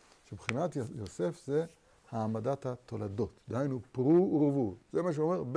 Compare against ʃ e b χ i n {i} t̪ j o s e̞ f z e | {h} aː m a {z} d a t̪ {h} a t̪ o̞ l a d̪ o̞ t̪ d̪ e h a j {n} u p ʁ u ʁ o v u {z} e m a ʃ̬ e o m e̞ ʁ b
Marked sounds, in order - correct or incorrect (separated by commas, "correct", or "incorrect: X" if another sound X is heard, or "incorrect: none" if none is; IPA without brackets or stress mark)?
incorrect: a, correct, incorrect: none, correct, correct, correct